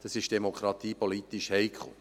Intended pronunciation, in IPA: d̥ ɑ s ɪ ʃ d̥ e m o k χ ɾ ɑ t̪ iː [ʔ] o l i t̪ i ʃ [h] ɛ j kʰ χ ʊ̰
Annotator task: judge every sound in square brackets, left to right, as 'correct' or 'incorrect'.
incorrect, correct

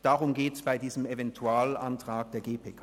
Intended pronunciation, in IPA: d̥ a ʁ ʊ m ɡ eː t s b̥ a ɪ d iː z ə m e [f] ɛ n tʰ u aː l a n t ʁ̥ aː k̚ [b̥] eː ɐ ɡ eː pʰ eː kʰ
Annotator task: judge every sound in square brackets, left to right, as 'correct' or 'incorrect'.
incorrect, incorrect

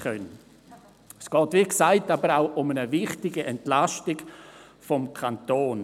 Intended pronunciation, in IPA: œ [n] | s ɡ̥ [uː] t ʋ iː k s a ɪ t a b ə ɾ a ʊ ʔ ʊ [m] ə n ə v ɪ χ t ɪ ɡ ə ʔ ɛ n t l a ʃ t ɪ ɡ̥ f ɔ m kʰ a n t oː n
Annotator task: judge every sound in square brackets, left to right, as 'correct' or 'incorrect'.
correct, incorrect, correct

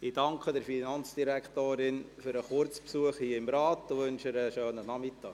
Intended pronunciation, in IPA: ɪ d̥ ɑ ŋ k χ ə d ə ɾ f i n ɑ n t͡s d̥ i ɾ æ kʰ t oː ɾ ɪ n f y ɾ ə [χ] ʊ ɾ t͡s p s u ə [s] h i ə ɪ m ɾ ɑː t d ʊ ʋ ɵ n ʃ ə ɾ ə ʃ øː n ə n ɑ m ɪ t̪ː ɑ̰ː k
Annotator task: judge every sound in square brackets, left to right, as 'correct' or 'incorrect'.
correct, incorrect

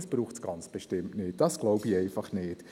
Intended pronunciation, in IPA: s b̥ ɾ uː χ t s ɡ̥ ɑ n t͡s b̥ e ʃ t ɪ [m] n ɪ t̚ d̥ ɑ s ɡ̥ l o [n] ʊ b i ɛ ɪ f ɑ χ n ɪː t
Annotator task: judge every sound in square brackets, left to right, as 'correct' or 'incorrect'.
correct, incorrect

